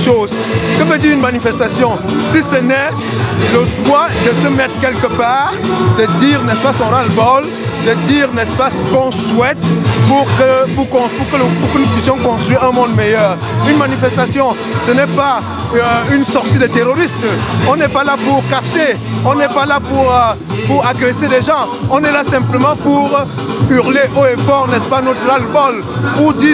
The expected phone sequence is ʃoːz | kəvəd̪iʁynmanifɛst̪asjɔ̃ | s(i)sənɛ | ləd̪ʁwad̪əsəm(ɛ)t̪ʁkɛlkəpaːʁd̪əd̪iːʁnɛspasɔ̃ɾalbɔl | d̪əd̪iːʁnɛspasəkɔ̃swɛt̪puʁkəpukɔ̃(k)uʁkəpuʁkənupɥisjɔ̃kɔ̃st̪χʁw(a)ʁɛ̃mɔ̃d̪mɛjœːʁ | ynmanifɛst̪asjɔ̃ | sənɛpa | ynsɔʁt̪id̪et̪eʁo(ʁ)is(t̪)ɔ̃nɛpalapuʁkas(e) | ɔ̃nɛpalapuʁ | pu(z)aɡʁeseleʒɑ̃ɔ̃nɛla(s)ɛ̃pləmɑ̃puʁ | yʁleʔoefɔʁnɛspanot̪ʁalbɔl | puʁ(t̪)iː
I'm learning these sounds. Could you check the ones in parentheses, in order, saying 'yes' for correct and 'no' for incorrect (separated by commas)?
yes, yes, no, no, yes, yes, yes, no, yes, no